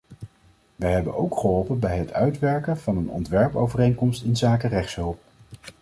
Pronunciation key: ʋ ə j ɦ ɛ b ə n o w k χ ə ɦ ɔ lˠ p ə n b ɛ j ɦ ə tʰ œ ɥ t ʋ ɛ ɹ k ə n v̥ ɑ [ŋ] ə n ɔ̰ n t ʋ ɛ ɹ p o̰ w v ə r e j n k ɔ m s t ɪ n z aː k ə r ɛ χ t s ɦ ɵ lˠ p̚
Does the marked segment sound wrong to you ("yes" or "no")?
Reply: yes